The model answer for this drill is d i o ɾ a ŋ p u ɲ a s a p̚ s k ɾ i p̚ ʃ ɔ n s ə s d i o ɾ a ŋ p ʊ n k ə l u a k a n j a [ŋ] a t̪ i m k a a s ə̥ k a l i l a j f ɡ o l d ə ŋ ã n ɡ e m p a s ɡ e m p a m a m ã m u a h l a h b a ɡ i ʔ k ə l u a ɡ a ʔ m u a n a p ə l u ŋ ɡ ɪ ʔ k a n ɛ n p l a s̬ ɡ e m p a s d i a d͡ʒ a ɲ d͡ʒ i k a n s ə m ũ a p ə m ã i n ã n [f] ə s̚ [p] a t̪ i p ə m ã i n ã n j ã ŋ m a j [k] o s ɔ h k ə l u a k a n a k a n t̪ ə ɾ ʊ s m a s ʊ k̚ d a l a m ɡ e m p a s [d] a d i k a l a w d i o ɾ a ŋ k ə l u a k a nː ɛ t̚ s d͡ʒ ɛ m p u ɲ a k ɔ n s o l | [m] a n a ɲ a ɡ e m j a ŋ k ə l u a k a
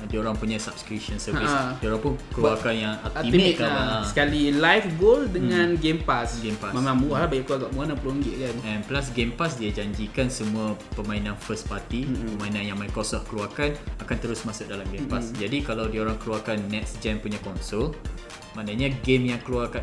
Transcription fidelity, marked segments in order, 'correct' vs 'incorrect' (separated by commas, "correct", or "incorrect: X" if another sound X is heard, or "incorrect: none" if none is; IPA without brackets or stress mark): correct, correct, correct, correct, incorrect: d͡ʒ, correct